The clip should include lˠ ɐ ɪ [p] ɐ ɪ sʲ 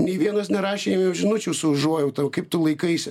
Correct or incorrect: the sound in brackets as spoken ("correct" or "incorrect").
incorrect